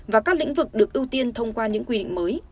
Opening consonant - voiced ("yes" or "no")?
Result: yes